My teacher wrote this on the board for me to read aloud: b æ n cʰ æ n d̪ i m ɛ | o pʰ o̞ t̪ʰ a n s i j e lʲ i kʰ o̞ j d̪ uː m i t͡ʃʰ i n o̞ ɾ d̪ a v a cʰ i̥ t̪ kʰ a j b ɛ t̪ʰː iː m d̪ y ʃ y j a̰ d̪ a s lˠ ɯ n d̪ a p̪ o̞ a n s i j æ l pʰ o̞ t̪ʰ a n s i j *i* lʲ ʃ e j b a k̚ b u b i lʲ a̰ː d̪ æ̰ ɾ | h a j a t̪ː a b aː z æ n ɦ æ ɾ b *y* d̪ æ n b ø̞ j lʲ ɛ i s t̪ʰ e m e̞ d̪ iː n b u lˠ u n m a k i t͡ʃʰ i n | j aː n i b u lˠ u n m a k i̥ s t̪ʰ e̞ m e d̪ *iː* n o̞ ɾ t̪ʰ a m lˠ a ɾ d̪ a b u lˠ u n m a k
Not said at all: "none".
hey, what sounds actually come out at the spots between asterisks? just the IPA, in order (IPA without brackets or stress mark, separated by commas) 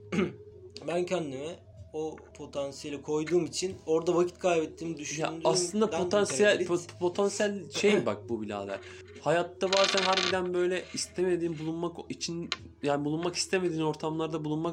æ, i, iː